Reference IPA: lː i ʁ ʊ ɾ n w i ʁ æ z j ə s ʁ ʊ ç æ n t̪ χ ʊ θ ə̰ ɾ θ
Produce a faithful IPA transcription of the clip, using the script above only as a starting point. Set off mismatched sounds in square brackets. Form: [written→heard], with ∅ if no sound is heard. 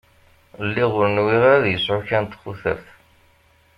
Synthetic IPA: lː i ʁ ʊ ɾ n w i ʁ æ [z→ð] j ə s [ʁ→ʕ] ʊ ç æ n t̪ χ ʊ θ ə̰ ɾ θ

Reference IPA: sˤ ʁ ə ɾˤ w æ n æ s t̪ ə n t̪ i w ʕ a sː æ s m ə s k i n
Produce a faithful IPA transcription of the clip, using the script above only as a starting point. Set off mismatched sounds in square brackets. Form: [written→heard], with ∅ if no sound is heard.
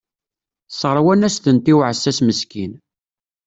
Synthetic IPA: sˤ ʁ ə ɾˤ w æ n æ s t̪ ə n t̪ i w ʕ [a→ə] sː æ s m ə s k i n

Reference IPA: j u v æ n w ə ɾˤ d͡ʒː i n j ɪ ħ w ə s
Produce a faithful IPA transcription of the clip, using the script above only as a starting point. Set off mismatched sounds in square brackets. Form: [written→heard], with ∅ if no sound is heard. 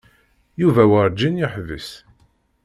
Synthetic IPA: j u v æ [n→∅] w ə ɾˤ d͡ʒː i n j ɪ ħ [w→v] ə s

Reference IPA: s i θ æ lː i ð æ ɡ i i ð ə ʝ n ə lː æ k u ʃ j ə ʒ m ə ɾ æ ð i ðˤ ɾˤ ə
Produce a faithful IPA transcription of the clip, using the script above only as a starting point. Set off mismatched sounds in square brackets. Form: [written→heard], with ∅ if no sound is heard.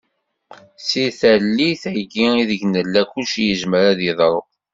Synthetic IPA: s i θ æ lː i [ð→θ] æ ɡ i i ð ə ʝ n ə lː æ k u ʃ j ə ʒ m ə ɾ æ ð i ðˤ ɾˤ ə

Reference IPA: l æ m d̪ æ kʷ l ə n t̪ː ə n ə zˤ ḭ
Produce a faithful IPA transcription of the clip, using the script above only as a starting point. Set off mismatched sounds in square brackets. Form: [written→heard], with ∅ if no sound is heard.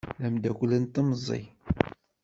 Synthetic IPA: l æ m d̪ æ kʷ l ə n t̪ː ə [n→m] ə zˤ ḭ

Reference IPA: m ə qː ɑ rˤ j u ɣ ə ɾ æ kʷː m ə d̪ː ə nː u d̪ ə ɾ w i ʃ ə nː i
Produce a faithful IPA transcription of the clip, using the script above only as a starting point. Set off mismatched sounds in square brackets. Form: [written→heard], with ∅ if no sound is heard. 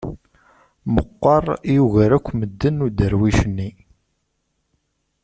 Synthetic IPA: m ə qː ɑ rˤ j u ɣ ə ɾ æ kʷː m ə d̪ː ə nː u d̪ ə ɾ w i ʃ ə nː i

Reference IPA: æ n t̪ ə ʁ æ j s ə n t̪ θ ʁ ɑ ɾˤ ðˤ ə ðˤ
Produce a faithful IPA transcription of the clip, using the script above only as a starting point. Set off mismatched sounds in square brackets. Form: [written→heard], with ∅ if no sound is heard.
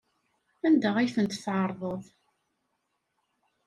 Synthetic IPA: æ n [t̪→d̪] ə ʁ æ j [s→θ] ə n t̪ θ [ʁ→ʕ] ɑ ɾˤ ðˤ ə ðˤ

